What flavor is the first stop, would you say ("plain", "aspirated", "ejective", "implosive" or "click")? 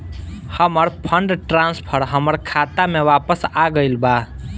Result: aspirated